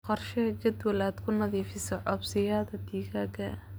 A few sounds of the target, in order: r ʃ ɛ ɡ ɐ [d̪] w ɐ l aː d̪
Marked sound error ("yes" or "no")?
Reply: no